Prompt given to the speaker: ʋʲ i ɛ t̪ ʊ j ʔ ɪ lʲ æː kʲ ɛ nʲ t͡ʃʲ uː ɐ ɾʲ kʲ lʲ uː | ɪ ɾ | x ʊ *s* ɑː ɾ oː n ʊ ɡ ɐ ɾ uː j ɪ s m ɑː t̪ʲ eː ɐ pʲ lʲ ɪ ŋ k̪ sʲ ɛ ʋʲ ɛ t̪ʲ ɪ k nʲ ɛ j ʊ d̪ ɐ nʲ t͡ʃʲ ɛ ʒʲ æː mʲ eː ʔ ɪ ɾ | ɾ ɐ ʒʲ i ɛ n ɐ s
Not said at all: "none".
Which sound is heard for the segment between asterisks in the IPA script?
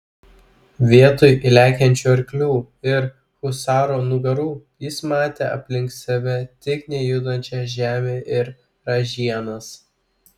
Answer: s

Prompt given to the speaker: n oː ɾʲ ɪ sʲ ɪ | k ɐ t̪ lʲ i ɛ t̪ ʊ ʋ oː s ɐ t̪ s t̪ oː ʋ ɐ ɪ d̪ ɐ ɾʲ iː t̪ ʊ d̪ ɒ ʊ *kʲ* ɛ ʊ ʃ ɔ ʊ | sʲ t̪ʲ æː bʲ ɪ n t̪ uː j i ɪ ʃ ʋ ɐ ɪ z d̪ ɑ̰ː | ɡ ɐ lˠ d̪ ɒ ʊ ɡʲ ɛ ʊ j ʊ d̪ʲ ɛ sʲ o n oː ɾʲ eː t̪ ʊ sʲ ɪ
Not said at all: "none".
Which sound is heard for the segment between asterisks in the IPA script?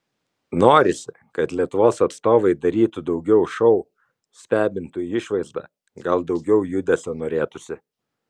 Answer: ɡʲ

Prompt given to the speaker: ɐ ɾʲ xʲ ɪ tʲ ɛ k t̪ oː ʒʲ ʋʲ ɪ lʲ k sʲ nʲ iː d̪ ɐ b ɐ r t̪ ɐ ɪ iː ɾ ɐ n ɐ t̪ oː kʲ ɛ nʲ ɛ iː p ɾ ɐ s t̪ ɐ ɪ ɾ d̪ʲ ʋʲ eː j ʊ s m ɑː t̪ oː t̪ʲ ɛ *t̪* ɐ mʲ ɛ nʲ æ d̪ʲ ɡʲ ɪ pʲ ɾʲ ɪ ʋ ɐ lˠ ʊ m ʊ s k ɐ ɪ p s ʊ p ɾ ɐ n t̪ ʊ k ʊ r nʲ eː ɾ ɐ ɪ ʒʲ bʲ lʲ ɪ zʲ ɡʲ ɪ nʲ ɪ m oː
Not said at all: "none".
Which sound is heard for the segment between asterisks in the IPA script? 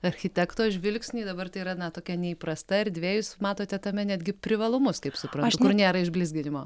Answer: t̪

